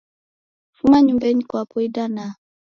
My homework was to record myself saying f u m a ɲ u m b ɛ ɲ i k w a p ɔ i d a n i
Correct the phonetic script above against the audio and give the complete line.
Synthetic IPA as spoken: f u m a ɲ u m b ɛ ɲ i k w a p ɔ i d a n a